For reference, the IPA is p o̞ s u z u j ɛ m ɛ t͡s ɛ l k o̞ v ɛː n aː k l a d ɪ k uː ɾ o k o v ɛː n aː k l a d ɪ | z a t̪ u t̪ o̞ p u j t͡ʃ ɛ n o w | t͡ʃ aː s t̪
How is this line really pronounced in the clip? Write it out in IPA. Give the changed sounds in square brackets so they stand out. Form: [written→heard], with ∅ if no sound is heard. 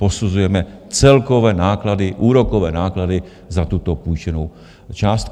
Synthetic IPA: p o̞ s u z u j ɛ m ɛ t͡s ɛ l k o̞ v ɛː n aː k l a d ɪ [k→ʔ] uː ɾ o k o v ɛː n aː k l a d ɪ | z a t̪ u t̪ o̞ p u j t͡ʃ ɛ n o w | t͡ʃ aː s t̪